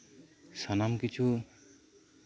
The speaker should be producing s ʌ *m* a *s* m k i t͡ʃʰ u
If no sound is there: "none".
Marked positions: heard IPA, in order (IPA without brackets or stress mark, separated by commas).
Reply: n, none